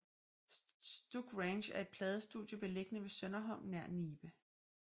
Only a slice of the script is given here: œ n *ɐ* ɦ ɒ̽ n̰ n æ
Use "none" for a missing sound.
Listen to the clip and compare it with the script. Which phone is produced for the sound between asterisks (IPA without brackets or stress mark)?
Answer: ɐ